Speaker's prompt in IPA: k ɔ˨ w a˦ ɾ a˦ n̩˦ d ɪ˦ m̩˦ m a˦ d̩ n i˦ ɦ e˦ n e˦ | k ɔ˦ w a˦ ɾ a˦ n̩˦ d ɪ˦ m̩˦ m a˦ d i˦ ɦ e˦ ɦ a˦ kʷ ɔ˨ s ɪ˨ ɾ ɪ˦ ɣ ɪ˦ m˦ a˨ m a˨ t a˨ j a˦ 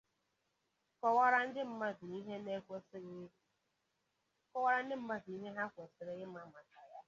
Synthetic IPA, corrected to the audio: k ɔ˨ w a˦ ɾ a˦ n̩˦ d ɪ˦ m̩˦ m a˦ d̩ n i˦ ɦ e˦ n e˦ | k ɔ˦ w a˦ ɾ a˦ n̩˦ d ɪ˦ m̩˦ m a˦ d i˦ ɦ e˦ ɦ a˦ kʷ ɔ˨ s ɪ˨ ɾ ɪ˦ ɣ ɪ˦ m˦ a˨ m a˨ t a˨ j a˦